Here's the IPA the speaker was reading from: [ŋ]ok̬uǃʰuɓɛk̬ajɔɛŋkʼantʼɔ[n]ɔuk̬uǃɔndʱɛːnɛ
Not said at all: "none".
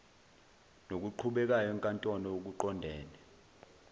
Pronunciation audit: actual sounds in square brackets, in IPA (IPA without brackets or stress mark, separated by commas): n, n